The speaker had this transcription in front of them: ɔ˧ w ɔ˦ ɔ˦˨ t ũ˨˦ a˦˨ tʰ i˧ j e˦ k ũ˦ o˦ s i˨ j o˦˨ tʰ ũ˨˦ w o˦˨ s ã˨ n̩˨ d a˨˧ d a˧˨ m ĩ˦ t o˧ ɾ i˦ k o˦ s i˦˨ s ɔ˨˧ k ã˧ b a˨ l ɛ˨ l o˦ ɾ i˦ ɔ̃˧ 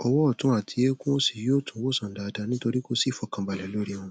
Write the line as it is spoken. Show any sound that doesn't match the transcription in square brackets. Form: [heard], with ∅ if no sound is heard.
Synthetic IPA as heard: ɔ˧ w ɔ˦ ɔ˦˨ t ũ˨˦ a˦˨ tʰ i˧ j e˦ k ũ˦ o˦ s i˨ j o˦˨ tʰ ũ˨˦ w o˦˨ s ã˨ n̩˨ d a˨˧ d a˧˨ [n] ĩ˦ t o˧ ɾ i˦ k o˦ s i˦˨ [f] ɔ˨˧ k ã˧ b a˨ l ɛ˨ l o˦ ɾ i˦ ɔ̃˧